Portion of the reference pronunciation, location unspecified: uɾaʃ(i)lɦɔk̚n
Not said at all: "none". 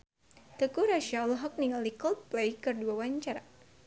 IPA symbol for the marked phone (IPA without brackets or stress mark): a